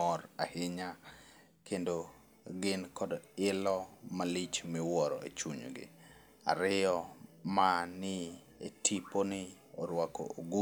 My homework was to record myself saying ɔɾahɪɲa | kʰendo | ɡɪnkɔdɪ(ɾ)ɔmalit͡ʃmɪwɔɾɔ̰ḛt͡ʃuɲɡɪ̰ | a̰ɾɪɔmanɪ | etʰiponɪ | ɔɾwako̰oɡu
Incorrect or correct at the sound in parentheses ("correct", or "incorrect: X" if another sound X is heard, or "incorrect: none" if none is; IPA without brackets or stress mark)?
incorrect: l